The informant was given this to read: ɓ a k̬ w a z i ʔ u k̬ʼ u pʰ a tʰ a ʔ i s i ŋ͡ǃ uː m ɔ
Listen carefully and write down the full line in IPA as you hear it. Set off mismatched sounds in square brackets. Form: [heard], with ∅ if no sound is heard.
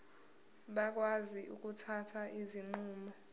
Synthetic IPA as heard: ɓ a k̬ w a z i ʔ u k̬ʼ u [tʰ] a tʰ a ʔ i [z] i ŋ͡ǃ uː m ɔ